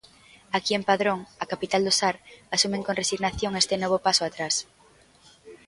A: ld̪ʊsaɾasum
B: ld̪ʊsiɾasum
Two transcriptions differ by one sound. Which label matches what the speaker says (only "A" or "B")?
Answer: A